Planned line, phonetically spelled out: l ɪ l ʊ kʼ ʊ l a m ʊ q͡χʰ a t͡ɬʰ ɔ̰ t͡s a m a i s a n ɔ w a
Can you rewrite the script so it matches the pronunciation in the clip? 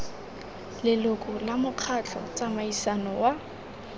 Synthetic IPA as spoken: l ɪ l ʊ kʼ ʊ l a m ʊ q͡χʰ a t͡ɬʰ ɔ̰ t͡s a m a i s a n ɔ w a